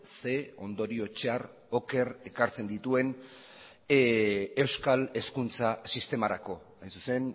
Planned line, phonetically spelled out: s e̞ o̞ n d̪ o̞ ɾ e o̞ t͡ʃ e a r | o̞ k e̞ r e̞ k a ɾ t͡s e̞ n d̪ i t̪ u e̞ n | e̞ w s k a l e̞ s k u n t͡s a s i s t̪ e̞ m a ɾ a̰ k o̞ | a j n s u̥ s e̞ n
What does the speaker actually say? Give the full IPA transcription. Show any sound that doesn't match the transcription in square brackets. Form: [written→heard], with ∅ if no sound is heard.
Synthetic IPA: s e̞ o̞ n d̪ o̞ ɾ [e→i] o̞ t͡ʃ e a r | o̞ k e̞ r e̞ k a ɾ t͡s e̞ n d̪ i t̪ u e̞ n | e̞ w s k a l e̞ s k u n t͡s a s i s t̪ e̞ m a ɾ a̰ k o̞ | a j n s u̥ s e̞ n